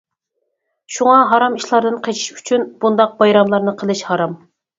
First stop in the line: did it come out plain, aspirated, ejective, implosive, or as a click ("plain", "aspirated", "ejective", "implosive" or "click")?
plain